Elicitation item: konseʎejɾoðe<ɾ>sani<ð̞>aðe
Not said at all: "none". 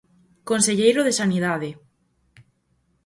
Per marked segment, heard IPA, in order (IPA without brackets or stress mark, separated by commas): none, ð̞